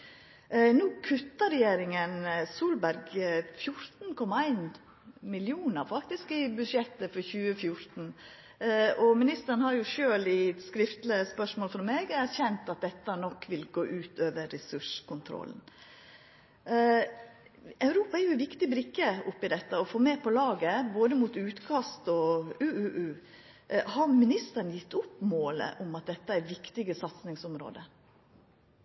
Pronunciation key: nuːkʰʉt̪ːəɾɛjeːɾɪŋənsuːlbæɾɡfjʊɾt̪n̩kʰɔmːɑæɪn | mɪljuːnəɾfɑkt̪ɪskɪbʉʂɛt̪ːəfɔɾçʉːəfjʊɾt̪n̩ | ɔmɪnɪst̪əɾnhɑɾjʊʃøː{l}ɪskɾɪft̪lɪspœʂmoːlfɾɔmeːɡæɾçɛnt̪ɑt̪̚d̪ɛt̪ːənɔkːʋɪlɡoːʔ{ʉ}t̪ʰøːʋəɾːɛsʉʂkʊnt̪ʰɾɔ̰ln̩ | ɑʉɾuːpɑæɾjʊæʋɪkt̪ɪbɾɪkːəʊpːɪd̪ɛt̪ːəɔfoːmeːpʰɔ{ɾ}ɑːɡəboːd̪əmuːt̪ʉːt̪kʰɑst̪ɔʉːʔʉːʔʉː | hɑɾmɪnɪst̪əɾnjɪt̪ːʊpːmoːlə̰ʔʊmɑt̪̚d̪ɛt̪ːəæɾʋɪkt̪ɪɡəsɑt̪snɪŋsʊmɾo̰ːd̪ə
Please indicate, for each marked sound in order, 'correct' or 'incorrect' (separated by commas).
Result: correct, incorrect, incorrect